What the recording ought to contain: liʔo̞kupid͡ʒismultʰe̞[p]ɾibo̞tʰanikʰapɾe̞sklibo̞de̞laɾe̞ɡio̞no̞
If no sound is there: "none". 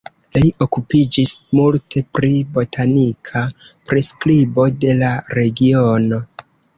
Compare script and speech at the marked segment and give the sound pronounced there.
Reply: p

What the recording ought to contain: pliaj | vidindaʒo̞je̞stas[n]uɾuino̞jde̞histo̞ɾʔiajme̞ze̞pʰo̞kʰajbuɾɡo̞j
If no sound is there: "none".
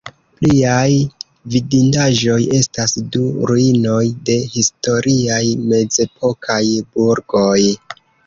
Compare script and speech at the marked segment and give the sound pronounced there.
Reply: d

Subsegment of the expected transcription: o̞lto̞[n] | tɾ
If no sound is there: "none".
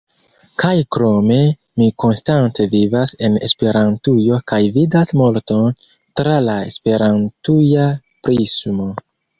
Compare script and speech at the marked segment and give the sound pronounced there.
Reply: n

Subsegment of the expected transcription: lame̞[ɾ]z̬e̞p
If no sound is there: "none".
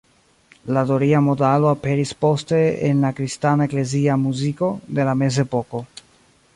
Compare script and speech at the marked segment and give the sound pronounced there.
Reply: none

